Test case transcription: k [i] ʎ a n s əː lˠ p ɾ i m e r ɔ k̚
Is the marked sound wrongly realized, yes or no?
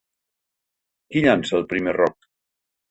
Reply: no